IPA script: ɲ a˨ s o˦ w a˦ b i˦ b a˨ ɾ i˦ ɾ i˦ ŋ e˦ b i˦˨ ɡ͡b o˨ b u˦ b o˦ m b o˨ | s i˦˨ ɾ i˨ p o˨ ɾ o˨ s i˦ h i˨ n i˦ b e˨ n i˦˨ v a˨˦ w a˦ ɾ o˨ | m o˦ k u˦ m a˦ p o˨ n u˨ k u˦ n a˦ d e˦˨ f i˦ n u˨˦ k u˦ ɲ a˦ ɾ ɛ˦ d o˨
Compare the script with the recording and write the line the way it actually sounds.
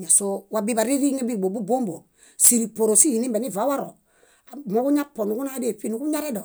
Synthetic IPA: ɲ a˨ s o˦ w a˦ b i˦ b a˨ ɾ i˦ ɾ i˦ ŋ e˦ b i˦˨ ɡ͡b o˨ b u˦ b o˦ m b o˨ | s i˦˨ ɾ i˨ p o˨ ɾ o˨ s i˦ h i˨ n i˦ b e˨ n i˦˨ v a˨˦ w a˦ ɾ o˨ | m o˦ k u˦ ɲ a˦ p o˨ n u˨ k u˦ n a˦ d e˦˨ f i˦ n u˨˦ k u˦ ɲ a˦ ɾ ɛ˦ d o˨

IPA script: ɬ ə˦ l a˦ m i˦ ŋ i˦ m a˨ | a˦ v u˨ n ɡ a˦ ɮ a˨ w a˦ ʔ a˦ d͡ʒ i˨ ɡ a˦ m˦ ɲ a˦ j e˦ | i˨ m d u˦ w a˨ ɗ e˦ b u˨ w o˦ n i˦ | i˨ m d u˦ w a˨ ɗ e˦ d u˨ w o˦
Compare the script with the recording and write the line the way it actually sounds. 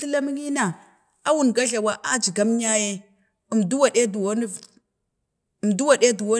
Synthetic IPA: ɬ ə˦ l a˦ m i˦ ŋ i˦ n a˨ | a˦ w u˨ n ɡ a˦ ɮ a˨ w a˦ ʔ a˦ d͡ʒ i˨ ɡ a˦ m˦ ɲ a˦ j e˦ | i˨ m d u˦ w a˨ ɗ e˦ d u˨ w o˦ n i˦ | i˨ m d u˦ w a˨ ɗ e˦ d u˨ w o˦

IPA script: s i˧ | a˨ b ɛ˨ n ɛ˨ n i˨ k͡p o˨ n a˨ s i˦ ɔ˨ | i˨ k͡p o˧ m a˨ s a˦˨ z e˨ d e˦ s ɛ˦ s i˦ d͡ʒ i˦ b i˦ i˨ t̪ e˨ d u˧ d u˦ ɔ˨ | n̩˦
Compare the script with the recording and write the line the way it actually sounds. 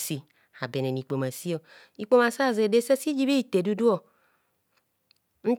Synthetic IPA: s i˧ | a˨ b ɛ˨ n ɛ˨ n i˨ k͡p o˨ m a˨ s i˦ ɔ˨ | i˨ k͡p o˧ m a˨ s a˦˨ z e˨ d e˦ s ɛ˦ s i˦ d͡ʒ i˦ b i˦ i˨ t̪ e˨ d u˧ d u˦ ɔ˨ | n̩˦

